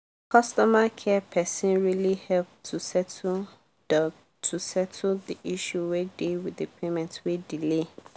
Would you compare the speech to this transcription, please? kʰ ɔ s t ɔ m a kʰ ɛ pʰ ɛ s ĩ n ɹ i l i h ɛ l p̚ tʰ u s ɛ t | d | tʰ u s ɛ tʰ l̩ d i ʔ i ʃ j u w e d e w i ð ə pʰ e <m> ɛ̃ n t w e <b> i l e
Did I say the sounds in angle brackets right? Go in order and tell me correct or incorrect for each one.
correct, incorrect

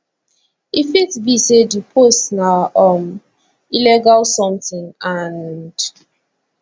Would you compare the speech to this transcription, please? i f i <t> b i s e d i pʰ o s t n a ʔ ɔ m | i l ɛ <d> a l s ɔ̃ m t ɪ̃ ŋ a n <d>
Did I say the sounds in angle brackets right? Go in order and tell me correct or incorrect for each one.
correct, incorrect, correct

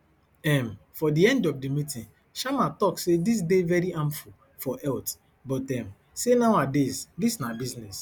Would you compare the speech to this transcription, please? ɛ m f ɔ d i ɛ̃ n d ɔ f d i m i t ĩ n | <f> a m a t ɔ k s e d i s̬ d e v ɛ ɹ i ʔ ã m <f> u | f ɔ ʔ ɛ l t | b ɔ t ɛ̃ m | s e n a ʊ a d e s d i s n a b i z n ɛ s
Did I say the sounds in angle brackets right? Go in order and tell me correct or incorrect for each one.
incorrect, correct

